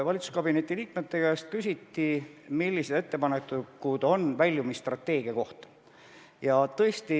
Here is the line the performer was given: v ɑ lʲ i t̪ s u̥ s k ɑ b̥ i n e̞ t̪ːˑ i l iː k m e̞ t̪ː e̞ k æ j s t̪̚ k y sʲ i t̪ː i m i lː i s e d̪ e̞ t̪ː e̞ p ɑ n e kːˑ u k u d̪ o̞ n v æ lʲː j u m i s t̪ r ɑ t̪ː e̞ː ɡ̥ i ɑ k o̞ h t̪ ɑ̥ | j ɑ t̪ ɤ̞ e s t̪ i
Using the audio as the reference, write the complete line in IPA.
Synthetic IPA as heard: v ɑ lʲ i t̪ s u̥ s k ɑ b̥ i n e̞ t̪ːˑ i l iː k m e̞ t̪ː e̞ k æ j s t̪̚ k y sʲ i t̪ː i m i lː i s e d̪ e̞ t̪ː e̞ p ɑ n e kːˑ u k u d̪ o̞ n v æ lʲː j u m i s t̪ r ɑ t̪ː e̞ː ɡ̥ i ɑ k o̞ h t̪ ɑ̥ | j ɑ t̪ ɤ̞ e s t̪ i

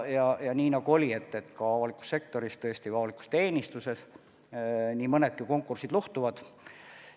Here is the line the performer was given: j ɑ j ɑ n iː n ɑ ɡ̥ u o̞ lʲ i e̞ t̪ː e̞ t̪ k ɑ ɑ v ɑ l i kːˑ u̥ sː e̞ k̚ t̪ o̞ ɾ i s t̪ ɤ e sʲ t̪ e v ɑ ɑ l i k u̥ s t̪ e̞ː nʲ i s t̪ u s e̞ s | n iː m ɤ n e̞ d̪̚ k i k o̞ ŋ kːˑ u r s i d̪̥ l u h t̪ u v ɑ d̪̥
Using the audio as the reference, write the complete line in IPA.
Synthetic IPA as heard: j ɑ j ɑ n iː n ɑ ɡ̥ u o̞ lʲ i e̞ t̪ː e̞ t̪ k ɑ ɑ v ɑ l i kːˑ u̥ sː e̞ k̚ t̪ o̞ ɾ i s t̪ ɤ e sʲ t̪ i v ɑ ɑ l i k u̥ s t̪ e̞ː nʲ i s t̪ u s e̞ s | n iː m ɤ n e̞ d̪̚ k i k o̞ ŋ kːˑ u r s i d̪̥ l u h t̪ u v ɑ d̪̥

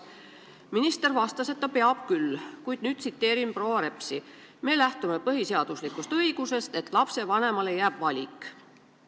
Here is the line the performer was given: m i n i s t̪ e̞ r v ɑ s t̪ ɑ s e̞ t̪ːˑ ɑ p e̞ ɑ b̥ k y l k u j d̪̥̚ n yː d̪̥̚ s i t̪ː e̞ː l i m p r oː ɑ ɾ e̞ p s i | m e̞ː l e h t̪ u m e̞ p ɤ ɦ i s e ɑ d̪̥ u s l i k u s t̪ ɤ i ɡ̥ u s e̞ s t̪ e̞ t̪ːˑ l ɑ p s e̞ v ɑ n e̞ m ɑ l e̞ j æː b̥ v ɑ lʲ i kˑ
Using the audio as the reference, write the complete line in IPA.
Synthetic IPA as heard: m i n i s t̪ e̞ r v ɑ s t̪ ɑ s e̞ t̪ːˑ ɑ p e̞ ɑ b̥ k y l k u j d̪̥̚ n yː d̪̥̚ s i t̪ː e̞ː ɾ i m p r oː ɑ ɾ e̞ p s i | m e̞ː l æ h t̪ u m e̞ p ɤ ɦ i s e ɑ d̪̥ u s l i k u s t̪ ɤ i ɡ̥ u s e̞ s t̪ e̞ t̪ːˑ l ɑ p s e̞ v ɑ n e̞ m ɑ l e̞ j æː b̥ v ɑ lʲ i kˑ

